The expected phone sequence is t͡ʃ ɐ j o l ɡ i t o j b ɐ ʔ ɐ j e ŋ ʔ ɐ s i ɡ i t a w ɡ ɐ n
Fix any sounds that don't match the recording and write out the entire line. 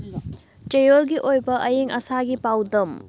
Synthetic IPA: t͡ʃ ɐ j o l ɡ i ʔ o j b ɐ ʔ ɐ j e ŋ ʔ ɐ s a ɡ i p a w d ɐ m